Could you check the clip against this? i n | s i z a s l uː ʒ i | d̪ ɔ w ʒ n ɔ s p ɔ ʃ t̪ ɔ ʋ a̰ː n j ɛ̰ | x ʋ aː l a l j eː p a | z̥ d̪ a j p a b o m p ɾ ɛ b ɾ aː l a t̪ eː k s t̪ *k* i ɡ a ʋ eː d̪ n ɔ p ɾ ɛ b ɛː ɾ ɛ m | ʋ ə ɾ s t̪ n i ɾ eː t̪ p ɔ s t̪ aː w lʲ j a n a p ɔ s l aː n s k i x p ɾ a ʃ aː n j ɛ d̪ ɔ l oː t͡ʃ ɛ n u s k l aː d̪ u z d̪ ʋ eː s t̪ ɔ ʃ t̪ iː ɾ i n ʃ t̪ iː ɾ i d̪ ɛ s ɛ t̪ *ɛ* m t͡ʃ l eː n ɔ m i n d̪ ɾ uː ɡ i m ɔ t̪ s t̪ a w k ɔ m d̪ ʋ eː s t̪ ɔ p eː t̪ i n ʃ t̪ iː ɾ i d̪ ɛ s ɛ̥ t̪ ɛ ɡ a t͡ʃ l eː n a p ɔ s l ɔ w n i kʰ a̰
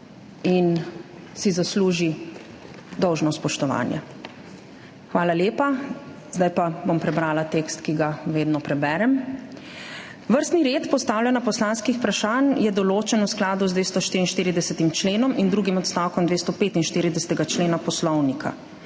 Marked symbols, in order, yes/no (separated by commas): yes, no